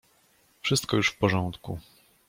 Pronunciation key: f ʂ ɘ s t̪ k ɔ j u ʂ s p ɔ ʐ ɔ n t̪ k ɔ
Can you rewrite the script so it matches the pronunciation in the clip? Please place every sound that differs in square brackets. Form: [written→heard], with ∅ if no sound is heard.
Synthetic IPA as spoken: f ʂ ɘ s t̪ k ɔ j u ʂ [s→f] p ɔ ʐ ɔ n t̪ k [ɔ→u]